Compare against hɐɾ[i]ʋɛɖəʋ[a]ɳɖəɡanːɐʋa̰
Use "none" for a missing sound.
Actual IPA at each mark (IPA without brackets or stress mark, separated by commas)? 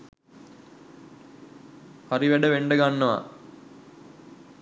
i, e